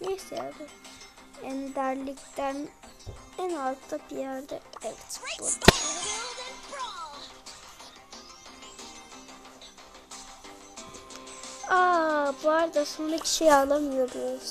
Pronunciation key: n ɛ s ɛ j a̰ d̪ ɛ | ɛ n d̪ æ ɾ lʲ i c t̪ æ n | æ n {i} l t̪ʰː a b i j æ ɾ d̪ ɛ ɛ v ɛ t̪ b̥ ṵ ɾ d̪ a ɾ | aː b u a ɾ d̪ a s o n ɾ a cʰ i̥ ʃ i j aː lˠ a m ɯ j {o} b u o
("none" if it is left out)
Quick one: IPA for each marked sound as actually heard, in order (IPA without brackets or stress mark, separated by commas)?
a, o